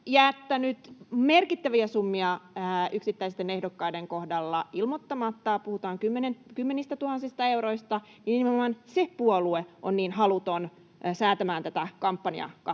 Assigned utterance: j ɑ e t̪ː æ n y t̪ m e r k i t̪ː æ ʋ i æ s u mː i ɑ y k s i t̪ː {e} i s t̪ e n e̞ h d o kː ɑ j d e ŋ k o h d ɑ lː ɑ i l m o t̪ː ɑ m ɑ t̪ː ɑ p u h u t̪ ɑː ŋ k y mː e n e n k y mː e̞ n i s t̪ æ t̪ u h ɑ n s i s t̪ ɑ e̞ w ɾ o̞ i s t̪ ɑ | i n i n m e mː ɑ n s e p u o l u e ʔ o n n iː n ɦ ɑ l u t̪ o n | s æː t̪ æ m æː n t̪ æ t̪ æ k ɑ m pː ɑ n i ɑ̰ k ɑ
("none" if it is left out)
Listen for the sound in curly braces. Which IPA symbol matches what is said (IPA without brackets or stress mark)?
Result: æ